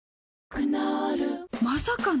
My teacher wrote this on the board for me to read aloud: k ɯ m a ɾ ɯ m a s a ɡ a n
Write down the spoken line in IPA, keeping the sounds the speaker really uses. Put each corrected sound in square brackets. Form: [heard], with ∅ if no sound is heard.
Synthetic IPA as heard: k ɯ [n] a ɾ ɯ m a s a [k] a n